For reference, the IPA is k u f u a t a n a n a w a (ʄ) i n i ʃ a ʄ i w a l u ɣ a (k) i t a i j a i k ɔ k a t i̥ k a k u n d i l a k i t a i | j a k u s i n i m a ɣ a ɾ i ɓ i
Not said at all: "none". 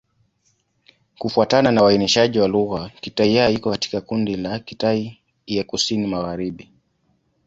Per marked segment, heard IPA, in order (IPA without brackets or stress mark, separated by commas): none, k